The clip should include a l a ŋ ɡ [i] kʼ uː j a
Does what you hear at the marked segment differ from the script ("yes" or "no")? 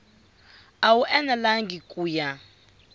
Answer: no